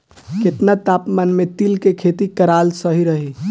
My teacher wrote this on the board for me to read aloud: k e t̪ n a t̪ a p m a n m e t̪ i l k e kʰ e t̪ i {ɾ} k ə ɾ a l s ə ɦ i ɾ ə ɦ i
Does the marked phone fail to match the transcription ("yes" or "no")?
yes